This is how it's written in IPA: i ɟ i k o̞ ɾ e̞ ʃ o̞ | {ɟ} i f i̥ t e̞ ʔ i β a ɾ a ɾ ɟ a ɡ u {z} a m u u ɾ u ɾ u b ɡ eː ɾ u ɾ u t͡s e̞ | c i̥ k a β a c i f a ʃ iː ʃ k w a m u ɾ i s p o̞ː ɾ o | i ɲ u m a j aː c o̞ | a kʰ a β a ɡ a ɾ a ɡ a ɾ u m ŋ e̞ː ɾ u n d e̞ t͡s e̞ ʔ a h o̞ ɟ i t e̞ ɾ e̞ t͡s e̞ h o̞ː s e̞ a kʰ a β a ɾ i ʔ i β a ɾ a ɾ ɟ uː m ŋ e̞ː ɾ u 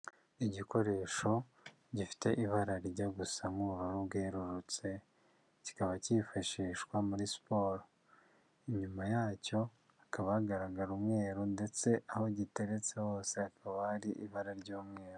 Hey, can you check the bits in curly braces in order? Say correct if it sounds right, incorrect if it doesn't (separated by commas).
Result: correct, incorrect